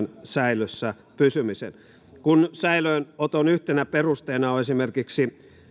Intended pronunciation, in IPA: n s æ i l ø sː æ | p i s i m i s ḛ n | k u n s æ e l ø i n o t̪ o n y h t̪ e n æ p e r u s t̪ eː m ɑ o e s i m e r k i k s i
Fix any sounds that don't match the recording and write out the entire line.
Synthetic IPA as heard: n s æ i l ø sː æ | p y s y m i s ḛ n | k u n s æ i l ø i n o t̪ o n y h t̪ e n æ p e r u s t̪ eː n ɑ o e s i m e r k i k s i